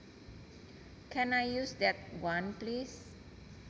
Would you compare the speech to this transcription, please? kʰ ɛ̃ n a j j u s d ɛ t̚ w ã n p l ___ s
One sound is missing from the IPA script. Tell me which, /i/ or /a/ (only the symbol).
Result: i